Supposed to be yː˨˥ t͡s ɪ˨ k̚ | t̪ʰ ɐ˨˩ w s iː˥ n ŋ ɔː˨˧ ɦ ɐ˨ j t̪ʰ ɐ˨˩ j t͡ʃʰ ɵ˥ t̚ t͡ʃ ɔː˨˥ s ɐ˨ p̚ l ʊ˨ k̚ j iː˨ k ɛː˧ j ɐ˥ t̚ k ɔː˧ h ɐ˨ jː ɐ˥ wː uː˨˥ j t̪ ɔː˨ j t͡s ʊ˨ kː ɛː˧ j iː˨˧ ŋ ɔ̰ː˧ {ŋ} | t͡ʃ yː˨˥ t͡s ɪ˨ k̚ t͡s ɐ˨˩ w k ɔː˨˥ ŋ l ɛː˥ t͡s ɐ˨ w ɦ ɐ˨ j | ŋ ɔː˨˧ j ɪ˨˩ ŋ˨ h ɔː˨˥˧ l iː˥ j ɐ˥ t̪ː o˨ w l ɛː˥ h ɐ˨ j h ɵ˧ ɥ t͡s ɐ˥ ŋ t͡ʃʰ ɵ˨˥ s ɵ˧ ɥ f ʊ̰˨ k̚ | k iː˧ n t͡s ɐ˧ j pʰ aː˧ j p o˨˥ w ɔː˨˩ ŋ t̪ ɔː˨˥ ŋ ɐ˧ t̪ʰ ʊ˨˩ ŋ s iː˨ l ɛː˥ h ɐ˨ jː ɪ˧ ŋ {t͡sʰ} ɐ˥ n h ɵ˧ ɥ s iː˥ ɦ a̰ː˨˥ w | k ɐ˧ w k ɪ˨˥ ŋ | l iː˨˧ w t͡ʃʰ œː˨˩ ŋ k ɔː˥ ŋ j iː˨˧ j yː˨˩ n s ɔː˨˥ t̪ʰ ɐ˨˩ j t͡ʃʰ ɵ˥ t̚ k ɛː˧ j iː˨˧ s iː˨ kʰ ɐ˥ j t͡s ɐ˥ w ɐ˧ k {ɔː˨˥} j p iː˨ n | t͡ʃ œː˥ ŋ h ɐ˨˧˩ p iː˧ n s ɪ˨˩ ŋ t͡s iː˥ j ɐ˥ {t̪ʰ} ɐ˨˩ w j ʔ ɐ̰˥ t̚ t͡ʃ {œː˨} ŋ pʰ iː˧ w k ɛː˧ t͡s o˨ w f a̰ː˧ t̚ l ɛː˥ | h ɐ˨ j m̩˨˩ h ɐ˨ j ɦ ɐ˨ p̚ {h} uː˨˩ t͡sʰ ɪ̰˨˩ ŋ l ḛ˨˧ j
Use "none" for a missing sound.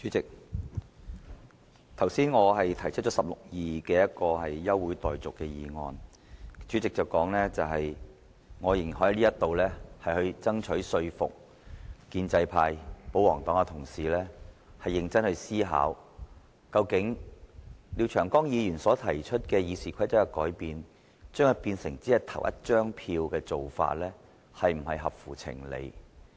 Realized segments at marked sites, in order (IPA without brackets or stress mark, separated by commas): n, t͡s, ɔː˨˥, t̪ʰ, œː˥, f